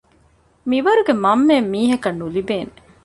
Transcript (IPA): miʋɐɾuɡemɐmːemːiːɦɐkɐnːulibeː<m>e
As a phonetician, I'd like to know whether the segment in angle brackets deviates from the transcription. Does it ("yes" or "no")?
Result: yes